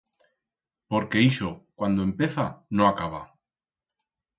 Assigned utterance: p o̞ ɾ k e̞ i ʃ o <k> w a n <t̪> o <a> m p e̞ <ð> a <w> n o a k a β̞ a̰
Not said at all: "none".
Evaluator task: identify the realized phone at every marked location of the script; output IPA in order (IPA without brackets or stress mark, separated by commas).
k, d̪, e, θ, none